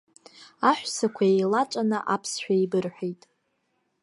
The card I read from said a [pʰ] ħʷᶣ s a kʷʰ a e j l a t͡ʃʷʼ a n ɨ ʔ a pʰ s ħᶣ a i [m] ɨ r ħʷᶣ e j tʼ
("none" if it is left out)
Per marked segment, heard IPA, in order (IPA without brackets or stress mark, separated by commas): none, b